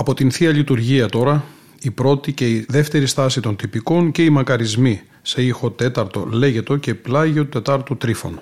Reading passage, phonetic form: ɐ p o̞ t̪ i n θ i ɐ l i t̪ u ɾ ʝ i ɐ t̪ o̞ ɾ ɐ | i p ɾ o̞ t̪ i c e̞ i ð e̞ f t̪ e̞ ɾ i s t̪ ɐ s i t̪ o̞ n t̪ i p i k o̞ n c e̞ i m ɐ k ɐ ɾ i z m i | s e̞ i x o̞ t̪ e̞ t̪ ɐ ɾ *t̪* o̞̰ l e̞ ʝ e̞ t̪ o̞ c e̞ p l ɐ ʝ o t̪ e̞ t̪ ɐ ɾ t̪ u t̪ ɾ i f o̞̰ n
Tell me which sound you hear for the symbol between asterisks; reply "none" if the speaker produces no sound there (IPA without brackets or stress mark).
t̪